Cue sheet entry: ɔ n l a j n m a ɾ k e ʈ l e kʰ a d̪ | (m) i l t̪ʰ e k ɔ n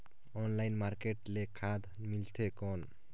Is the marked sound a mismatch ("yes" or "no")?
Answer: no